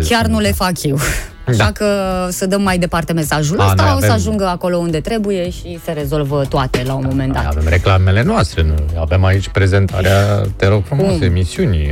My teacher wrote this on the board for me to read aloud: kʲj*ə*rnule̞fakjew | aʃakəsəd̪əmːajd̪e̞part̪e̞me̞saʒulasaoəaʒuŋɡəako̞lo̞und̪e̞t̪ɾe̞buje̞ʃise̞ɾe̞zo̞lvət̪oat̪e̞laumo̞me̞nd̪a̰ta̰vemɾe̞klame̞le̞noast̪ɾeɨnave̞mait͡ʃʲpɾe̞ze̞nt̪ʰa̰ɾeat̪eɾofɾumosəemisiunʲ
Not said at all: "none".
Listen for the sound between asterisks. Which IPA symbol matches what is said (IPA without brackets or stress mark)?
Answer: a